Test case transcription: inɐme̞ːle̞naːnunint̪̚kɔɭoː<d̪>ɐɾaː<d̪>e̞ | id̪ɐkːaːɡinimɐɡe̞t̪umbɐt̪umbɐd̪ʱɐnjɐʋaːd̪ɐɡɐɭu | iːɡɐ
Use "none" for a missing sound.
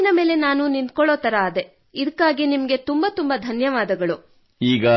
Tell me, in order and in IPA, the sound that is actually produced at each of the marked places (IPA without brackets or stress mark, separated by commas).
t̪, d̪